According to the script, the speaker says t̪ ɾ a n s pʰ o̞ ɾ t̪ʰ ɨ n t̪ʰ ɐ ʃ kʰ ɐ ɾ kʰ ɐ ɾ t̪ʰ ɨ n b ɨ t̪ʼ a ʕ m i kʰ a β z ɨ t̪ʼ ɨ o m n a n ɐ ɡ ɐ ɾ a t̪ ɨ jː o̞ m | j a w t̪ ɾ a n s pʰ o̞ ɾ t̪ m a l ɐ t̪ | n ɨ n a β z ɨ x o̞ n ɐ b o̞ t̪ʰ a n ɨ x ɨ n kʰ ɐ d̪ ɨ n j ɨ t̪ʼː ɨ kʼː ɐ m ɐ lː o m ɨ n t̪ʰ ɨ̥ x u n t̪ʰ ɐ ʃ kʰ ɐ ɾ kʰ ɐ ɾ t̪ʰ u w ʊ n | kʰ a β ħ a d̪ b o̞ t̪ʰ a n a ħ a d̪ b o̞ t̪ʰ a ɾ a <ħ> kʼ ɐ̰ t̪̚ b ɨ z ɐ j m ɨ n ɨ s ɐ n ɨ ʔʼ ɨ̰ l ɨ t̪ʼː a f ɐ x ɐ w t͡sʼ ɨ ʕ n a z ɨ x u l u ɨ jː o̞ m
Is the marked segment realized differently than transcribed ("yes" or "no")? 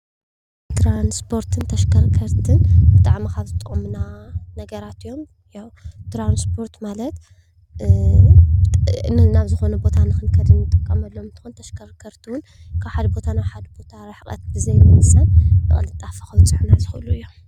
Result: no